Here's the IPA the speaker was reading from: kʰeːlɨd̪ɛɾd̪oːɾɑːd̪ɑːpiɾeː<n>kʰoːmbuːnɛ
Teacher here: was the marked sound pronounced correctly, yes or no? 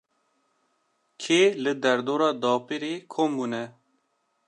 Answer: no